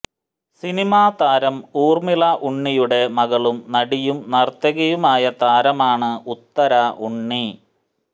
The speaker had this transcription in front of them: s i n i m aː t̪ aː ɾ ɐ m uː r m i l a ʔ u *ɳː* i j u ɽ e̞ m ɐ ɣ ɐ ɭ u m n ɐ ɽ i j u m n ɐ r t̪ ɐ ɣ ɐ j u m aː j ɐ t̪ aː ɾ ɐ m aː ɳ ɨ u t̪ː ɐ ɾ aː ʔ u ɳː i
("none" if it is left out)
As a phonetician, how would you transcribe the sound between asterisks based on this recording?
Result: ɳː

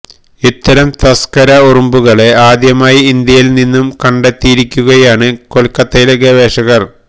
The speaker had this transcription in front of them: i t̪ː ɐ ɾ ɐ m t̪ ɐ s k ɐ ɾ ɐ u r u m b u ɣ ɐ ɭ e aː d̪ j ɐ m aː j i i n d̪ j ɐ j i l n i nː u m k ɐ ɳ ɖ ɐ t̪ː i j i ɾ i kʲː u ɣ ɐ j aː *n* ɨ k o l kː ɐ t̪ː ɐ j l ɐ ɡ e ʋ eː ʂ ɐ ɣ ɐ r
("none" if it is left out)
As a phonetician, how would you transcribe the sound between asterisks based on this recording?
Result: ɳ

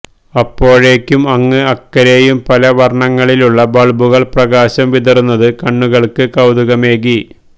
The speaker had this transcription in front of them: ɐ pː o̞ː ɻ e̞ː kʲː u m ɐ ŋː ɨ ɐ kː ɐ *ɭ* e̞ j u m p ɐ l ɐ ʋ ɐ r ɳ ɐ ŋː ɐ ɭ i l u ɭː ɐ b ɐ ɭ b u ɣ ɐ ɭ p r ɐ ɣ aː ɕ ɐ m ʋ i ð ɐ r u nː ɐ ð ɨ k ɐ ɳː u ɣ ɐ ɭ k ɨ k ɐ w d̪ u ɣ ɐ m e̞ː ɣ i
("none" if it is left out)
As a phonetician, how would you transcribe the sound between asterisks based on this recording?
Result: ɾ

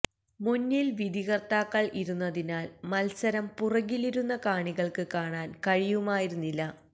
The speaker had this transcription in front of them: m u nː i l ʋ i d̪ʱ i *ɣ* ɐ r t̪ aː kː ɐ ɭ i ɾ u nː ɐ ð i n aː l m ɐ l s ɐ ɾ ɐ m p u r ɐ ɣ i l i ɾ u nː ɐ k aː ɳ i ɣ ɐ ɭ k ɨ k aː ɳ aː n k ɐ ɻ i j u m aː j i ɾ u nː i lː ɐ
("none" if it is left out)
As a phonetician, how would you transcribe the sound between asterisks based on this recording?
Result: ɣ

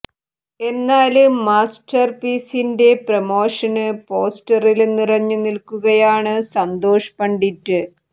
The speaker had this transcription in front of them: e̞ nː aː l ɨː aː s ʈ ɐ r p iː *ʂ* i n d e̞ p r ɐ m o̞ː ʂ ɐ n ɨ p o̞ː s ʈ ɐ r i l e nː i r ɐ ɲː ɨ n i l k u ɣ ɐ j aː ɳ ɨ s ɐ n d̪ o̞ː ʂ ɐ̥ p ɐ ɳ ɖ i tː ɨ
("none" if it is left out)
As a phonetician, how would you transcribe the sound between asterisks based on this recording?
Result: s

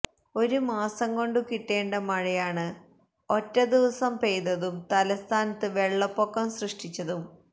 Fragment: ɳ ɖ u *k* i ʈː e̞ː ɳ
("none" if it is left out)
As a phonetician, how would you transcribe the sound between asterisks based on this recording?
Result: k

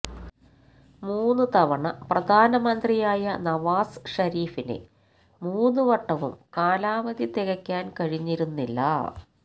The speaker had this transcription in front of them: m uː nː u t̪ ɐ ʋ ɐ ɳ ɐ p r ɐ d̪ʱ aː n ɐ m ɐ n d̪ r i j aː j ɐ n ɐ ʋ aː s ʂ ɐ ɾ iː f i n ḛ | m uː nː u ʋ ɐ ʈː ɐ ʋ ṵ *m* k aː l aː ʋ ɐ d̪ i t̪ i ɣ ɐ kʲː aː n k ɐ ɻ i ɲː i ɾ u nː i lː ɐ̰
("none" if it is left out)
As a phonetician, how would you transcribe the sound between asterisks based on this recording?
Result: m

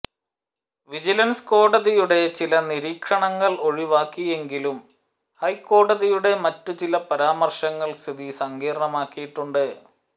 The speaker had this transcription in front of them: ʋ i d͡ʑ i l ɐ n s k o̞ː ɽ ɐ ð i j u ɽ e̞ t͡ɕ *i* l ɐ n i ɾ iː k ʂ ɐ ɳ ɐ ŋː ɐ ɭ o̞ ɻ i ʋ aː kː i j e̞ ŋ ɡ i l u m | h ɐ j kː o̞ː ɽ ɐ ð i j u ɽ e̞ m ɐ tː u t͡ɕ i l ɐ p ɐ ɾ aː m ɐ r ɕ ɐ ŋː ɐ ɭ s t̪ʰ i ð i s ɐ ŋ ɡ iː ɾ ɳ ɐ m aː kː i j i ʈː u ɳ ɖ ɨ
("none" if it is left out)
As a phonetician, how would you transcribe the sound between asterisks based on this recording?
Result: i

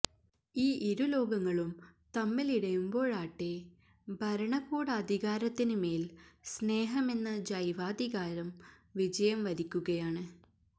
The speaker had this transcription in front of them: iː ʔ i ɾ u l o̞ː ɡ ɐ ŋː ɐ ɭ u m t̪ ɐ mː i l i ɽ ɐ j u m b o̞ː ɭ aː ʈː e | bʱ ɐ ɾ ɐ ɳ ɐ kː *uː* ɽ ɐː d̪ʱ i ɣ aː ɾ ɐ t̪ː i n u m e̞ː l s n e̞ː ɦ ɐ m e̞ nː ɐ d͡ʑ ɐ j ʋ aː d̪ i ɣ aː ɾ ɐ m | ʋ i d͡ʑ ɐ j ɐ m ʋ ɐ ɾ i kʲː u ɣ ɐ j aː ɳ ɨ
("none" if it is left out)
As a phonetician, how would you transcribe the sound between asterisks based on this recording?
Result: uː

